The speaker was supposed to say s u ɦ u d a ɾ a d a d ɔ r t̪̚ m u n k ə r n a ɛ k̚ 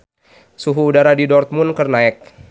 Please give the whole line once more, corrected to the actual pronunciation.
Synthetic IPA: s u ɦ uː d a ɾ a d i d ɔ r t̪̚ m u n k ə r n a ɛ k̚